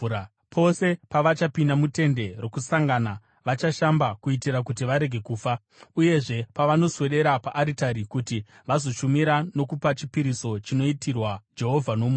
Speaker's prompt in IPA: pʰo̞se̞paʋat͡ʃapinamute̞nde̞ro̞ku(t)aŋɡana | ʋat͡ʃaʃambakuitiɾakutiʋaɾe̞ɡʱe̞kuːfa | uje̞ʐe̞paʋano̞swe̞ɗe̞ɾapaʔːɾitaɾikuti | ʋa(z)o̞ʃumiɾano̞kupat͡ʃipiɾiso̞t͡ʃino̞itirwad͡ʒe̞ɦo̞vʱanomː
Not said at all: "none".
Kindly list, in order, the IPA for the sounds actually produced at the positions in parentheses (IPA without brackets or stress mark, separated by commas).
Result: s, z